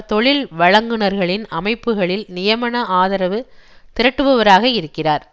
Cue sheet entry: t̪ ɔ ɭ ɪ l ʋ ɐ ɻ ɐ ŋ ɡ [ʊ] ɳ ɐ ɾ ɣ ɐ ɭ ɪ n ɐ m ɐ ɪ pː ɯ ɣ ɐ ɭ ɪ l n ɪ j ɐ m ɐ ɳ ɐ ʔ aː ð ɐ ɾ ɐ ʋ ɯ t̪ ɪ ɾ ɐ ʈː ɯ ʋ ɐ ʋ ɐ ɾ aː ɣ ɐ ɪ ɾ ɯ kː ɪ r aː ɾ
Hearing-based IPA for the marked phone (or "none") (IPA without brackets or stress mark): ɯ